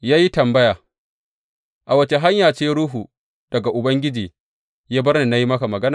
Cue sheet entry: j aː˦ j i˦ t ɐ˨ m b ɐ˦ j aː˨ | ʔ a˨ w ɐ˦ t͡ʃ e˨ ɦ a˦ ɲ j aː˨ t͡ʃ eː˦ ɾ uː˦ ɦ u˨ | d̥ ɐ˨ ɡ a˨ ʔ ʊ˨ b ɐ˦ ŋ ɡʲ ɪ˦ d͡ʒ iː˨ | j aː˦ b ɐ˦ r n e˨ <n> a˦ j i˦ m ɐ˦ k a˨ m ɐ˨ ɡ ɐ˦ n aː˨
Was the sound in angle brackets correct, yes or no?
yes